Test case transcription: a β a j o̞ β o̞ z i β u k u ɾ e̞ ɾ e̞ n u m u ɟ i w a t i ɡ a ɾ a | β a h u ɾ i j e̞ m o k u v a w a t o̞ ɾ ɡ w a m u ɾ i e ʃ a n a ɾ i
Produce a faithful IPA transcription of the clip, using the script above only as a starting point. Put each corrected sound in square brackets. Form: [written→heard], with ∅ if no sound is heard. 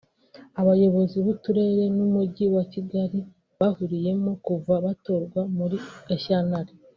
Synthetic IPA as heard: a β a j o̞ β o̞ z i β u [k→t] u ɾ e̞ ɾ e̞ n u m u ɟ i w a [t→c] i ɡ a ɾ [a→i] | β a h u ɾ i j e̞ m o k u v a [w→β] a t o̞ ɾ ɡ w a m u ɾ i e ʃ a n a ɾ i

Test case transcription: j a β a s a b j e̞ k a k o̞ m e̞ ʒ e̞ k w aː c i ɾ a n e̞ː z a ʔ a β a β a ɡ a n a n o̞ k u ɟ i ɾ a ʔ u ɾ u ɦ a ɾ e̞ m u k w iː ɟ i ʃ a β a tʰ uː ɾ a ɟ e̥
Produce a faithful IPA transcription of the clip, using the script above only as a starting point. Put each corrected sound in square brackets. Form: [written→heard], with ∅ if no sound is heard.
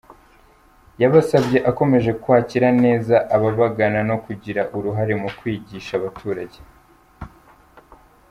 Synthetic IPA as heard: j a β a s a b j e̞ [k→ʔ] a k o̞ m e̞ ʒ e̞ k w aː c i ɾ a n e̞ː z a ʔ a β a β a ɡ a n a n o̞ k u ɟ i ɾ a ʔ u ɾ u ɦ a ɾ e̞ m u k w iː ɟ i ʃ a β a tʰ uː ɾ a ɟ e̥

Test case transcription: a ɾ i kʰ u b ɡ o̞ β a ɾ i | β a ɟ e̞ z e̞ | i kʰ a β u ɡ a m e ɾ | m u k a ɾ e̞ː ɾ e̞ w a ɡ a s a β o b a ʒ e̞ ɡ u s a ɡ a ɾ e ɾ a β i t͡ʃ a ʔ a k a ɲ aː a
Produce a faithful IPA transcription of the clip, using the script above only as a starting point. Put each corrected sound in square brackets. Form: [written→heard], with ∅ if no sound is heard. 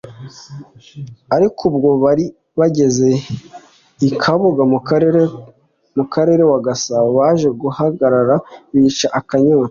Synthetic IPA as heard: a ɾ i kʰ u b ɡ o̞ β a ɾ i | β a ɟ e̞ z e̞ | i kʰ a β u ɡ a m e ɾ | m u k a ɾ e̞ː ɾ e̞ w a ɡ a s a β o [b→β] a ʒ e̞ ɡ u [s→h] a ɡ a ɾ [e→a] ɾ a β i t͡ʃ a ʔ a k a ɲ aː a

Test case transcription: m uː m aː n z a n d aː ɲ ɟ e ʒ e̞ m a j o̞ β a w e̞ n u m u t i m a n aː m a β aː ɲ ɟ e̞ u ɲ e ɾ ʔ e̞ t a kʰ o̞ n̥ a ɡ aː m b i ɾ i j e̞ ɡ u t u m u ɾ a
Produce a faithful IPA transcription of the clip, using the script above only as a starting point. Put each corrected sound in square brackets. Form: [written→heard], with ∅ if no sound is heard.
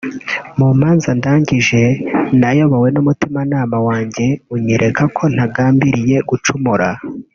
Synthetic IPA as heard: m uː m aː n z a n d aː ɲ ɟ [e→i] ʒ e̞ [m→n] a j o̞ β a w e̞ n u m u t i m a n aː m a [β→w] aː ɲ ɟ e̞ u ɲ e ɾ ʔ e̞ [t→k] a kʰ o̞ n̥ a ɡ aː m b i ɾ i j e̞ ɡ u [t→t͡ʃ] u m u ɾ a

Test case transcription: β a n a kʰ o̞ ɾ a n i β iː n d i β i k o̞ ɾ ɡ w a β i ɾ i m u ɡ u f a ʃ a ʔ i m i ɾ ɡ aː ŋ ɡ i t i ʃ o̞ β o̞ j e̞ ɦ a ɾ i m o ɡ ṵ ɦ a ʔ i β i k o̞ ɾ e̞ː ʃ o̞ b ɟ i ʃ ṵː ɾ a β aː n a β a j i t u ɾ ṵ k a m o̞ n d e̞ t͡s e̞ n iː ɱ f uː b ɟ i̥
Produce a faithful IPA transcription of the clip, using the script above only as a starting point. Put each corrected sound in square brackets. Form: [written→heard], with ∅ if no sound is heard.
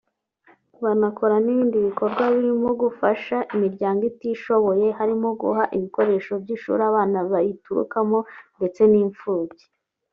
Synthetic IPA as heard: β a n a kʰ o̞ ɾ a n i β iː n d i β i k o̞ ɾ ɡ w a β i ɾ i m [u→o] ɡ u f a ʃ a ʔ i m i ɾ [ɡ→ɟ] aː ŋ ɡ i t i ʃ o̞ β o̞ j e̞ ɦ a ɾ i m o ɡ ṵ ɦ a ʔ i β i k o̞ ɾ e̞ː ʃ o̞ b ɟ i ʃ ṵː ɾ a β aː n a β a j i t u ɾ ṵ k a m o̞ n d e̞ t͡s e̞ n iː ɱ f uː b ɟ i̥

